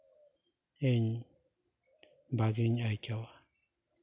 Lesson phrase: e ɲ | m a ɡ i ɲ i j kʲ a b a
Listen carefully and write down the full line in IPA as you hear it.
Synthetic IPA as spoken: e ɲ | b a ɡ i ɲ a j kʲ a w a